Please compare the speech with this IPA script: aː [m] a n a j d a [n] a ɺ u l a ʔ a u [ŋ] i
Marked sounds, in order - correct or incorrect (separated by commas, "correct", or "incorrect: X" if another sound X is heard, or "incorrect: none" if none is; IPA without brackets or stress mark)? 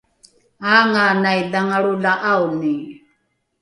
incorrect: ŋ, incorrect: ŋ, incorrect: n